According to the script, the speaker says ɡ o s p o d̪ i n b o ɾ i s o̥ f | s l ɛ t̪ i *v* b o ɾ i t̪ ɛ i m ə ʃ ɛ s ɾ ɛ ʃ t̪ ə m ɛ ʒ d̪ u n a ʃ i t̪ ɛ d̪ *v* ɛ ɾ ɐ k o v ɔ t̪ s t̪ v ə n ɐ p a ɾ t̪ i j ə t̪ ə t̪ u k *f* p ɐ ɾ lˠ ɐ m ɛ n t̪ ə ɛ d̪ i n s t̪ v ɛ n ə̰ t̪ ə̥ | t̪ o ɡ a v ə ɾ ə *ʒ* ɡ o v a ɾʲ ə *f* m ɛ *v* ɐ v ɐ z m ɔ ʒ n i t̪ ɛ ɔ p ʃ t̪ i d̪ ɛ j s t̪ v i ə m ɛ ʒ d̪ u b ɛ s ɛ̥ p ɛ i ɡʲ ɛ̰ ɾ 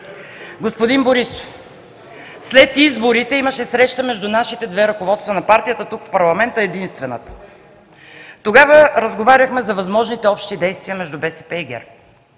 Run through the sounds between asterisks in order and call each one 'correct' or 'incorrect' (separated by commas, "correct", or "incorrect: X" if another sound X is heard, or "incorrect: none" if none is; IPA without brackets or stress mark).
incorrect: z, correct, correct, incorrect: z, incorrect: x, incorrect: z